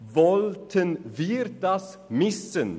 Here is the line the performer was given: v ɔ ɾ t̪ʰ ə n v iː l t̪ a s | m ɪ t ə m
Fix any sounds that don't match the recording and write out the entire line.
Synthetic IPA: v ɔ l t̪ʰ ə n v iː ɾ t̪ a s | m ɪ s ə n